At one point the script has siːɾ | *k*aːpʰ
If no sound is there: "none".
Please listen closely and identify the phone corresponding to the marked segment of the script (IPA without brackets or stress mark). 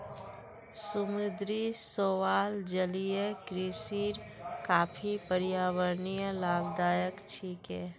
k